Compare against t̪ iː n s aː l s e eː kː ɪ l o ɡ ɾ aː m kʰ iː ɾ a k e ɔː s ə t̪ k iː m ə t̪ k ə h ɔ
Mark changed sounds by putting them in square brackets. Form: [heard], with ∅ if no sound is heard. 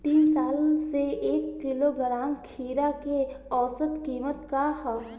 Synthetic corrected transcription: t̪ iː n s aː l s e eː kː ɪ l o ɡ ɾ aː m kʰ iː ɾ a k e ɔː s ə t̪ k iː m ə t̪ k [a] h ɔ